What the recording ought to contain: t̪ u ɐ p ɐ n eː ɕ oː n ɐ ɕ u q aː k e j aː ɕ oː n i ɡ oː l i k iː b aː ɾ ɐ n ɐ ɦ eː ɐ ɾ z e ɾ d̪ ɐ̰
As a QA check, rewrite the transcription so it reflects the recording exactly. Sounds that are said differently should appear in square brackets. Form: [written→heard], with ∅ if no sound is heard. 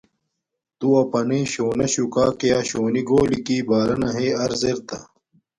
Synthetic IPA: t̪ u ɐ p ɐ n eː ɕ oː n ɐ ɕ u [q→k] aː k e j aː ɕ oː n i ɡ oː l i k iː b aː ɾ ɐ n ɐ ɦ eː ɐ ɾ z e ɾ [d̪→t̪] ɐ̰